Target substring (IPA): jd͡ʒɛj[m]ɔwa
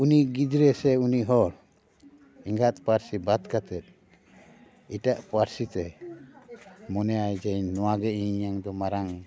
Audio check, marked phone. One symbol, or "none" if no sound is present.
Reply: n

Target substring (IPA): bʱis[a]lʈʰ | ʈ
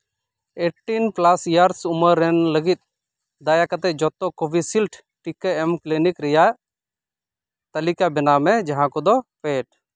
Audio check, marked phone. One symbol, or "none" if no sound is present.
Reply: i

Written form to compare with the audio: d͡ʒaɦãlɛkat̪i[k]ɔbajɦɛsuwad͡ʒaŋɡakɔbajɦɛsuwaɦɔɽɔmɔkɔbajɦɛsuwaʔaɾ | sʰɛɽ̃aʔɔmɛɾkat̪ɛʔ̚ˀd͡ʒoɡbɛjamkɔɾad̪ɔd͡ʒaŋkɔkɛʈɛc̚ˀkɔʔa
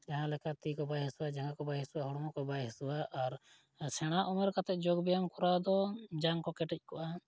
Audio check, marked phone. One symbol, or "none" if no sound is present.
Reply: k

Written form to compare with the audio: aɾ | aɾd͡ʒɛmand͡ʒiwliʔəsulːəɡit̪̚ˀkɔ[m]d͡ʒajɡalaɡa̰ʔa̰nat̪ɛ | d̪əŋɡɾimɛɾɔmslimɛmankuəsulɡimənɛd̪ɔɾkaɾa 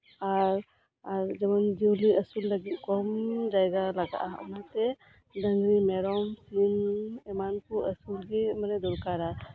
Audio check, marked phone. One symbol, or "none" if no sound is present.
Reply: m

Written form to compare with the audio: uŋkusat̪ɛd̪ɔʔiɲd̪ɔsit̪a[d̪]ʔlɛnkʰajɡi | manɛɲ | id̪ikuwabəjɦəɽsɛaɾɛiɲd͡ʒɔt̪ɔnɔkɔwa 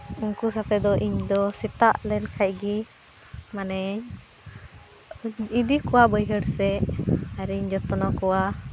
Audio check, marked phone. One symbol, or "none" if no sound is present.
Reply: none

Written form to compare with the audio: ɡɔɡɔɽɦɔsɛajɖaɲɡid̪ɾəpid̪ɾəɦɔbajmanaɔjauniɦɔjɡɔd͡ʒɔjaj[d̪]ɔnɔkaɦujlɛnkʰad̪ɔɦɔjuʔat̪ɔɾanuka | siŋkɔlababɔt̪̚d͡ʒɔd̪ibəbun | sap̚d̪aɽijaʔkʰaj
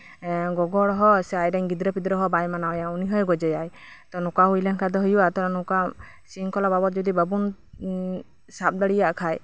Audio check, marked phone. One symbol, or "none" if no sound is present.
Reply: t̪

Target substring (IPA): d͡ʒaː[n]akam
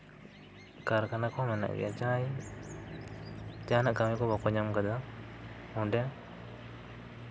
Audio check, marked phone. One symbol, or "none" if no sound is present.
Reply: n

